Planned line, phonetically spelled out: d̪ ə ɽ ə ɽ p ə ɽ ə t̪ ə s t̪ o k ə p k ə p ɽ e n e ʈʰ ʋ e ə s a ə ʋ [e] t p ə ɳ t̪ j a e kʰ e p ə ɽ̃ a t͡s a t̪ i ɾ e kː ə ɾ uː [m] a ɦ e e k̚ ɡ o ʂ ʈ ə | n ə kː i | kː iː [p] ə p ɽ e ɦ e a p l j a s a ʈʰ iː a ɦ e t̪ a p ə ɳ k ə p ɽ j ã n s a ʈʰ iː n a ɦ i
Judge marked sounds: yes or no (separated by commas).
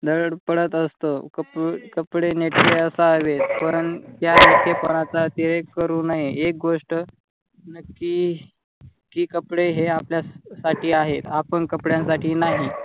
yes, no, no